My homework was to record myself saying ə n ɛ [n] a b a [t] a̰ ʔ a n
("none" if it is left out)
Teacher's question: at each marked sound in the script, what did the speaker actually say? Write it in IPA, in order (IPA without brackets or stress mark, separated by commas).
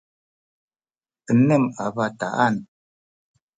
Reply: m, t